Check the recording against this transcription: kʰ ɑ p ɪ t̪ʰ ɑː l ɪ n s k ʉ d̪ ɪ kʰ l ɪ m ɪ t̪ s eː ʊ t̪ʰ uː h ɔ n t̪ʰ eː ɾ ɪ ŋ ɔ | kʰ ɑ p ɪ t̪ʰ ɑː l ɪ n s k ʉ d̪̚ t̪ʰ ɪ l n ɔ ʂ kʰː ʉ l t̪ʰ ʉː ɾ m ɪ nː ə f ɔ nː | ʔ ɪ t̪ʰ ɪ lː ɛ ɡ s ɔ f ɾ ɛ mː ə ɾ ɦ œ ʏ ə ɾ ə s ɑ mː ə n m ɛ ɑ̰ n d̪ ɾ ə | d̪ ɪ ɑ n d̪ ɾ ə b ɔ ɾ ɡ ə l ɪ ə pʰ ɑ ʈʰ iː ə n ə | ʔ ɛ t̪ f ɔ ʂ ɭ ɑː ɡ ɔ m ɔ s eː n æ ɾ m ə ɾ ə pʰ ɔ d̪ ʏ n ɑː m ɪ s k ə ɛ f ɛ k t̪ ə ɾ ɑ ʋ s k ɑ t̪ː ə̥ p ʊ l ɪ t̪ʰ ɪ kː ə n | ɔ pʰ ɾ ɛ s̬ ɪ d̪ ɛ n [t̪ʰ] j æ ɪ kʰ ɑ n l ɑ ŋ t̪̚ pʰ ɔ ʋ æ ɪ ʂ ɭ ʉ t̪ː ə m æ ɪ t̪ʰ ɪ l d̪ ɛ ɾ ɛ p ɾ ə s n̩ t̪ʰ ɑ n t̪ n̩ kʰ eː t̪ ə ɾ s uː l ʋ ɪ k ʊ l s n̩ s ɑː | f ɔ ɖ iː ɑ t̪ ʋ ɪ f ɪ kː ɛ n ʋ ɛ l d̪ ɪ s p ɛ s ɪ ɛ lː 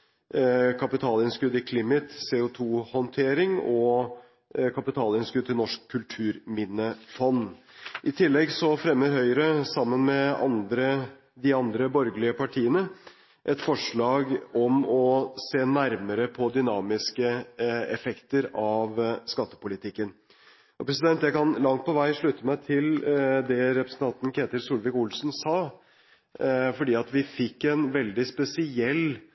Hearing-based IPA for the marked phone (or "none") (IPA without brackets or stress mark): t̪